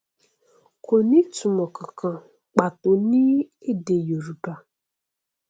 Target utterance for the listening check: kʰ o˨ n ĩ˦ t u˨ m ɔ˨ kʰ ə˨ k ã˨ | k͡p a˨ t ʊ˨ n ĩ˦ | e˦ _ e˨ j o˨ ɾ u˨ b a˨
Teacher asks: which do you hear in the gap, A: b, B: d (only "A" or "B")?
B